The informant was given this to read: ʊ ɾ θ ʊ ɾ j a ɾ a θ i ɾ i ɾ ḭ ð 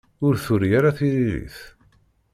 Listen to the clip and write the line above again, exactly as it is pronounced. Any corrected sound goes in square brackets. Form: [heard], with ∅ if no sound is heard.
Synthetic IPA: ʊ ɾ θ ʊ ɾ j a ɾ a θ i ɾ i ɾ ḭ [θ]

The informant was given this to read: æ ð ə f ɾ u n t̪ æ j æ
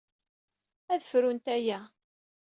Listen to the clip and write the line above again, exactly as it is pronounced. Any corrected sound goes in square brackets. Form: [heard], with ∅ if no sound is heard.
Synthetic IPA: æ ð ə f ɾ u n t̪ æ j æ

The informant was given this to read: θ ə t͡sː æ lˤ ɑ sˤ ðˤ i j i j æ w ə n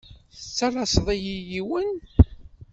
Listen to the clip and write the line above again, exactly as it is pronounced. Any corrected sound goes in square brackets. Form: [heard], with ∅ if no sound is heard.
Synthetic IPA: θ ə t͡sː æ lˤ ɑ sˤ ðˤ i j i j [i] w ə n

